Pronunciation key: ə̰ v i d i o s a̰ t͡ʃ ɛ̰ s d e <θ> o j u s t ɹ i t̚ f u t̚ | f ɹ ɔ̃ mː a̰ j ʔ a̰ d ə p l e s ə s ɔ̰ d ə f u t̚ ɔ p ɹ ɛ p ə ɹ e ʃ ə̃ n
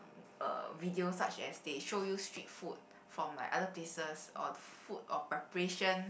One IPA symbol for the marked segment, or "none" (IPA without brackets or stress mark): ʃ